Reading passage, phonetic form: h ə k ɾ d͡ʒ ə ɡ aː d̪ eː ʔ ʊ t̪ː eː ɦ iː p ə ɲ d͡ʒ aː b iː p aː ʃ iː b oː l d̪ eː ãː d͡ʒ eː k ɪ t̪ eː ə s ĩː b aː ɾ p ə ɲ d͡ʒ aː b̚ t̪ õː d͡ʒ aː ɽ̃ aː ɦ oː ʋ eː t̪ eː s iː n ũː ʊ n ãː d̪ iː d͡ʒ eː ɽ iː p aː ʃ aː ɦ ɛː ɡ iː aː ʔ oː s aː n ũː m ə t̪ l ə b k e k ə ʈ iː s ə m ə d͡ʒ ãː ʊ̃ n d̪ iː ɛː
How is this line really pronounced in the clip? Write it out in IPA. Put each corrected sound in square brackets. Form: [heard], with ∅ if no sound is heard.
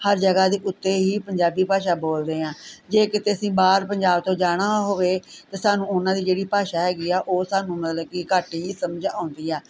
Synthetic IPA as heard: h ə [∅] ɾ d͡ʒ ə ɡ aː d̪ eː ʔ ʊ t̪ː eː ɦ iː p ə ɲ d͡ʒ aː b iː p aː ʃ [aː] b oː l d̪ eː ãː d͡ʒ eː k ɪ t̪ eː ə s ĩː b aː ɾ p ə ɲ d͡ʒ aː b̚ t̪ õː d͡ʒ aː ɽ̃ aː ɦ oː ʋ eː t̪ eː s [aː] n ũː ʊ n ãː d̪ iː d͡ʒ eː ɽ iː p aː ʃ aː ɦ ɛː ɡ iː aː ʔ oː s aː n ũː m ə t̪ l ə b k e k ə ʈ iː s ə m ə d͡ʒ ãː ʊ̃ n d̪ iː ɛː